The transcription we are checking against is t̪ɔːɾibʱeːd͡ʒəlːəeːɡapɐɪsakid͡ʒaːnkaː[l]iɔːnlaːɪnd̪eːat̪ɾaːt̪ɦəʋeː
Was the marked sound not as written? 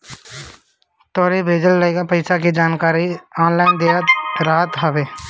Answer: yes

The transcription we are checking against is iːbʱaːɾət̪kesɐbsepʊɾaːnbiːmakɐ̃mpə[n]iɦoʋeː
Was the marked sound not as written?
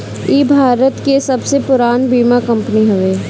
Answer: no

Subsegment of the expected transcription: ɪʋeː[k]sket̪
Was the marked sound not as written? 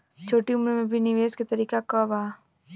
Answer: yes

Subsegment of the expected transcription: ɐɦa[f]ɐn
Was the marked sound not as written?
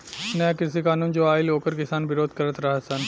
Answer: yes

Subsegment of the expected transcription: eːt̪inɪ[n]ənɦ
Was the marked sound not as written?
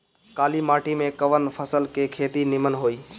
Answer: yes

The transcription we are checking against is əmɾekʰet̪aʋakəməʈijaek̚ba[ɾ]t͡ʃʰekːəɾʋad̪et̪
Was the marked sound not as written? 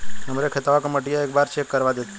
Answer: no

